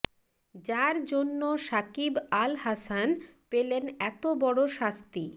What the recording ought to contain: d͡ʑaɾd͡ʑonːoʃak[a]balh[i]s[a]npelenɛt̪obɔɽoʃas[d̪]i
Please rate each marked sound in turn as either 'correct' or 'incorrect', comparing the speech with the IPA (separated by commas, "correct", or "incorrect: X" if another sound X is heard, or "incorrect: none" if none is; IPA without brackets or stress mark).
incorrect: i, incorrect: a, correct, incorrect: t̪